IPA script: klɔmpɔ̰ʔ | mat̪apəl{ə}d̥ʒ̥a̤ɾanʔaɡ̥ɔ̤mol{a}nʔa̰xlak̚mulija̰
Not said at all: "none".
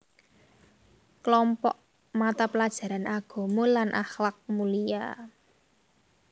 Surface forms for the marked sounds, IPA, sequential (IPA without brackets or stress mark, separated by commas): a, a